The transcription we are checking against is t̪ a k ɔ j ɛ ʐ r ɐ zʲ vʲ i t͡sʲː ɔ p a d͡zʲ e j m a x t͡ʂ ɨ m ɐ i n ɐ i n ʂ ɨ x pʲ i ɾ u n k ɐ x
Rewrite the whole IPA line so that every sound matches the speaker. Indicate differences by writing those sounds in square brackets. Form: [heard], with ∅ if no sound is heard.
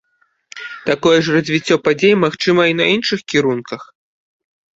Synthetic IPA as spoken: t̪ a k ɔ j ɛ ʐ r ɐ zʲ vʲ i t͡sʲː ɔ p a d͡zʲ e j m a x t͡ʂ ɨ m ɐ i n ɐ i n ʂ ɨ x [kʲ] i ɾ u n k ɐ x